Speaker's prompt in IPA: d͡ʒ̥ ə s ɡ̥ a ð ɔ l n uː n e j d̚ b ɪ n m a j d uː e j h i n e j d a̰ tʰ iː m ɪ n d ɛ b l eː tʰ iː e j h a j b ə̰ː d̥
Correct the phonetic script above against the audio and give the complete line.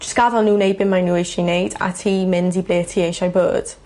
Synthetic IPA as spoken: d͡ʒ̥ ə s ɡ̥ a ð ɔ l n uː n e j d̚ b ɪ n m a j n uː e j ʃ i n e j d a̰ tʰ iː m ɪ n d i b l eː tʰ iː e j ʃ a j b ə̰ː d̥